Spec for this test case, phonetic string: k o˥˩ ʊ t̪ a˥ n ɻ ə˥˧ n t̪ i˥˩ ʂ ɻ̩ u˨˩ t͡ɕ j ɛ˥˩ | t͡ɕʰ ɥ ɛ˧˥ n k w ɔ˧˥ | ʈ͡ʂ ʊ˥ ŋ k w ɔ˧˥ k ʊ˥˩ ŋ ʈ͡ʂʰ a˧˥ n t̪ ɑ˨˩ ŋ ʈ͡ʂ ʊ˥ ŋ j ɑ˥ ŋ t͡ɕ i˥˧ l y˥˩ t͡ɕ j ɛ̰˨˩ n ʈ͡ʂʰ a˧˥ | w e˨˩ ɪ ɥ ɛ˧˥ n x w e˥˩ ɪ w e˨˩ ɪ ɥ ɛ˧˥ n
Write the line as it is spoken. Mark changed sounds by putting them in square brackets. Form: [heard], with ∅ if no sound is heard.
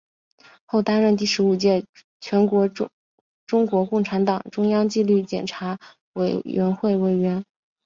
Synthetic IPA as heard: [x] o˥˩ ʊ t̪ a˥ n ɻ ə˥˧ n t̪ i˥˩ ʂ ɻ̩ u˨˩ t͡ɕ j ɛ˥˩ | t͡ɕʰ ɥ ɛ˧˥ n k w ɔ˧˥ | ʈ͡ʂ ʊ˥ ŋ k w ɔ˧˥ k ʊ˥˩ ŋ ʈ͡ʂʰ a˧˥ n t̪ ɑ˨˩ ŋ ʈ͡ʂ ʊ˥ ŋ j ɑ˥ ŋ t͡ɕ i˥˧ l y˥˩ t͡ɕ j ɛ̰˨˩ n ʈ͡ʂʰ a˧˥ | w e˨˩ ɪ ɥ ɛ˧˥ n x w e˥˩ ɪ w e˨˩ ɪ ɥ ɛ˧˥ n